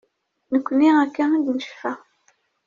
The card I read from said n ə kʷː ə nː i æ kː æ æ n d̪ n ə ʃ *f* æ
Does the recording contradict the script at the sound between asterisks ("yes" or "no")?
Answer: no